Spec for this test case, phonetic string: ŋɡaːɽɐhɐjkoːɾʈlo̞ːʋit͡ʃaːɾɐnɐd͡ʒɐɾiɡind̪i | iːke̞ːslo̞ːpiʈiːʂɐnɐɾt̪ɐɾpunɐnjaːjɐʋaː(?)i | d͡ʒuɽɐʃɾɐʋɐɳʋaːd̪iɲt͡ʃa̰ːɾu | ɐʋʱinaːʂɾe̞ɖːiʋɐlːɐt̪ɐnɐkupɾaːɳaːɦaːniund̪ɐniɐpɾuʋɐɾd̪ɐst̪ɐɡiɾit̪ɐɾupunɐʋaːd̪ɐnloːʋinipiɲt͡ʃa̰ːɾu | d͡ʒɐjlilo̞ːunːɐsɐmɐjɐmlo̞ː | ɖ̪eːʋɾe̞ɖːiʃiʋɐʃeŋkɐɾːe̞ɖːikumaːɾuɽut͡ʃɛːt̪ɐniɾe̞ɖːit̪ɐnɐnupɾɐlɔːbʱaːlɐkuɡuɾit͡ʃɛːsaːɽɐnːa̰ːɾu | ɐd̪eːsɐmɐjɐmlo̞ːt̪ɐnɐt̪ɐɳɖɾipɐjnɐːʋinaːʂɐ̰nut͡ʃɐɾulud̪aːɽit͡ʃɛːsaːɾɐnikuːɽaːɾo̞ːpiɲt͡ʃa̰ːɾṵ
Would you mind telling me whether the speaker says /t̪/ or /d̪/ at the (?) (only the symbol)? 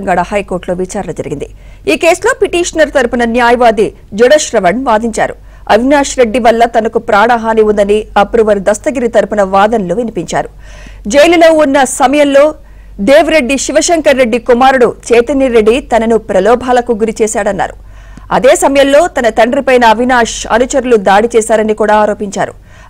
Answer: d̪